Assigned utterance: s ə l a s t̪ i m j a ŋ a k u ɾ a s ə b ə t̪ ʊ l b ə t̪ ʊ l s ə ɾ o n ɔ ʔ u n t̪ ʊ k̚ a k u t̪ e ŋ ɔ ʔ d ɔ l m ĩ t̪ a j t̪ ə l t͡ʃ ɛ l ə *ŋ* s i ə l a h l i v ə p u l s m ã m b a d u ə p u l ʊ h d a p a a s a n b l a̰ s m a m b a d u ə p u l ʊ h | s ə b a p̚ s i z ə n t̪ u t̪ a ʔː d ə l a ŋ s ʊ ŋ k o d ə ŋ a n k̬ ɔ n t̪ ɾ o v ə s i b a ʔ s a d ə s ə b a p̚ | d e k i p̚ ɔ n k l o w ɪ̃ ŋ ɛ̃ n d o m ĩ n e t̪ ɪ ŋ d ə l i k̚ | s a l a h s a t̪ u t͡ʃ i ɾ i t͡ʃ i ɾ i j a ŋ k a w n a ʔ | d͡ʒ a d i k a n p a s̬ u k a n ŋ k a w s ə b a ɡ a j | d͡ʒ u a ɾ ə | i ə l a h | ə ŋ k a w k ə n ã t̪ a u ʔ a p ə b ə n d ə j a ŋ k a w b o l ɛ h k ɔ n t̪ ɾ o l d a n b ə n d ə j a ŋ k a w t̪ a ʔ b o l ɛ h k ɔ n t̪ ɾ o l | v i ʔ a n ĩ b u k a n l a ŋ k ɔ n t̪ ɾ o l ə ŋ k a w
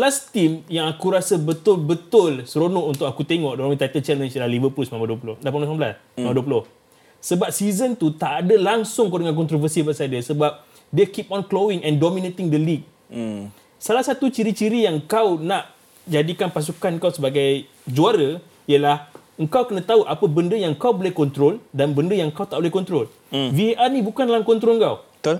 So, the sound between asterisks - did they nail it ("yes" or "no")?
no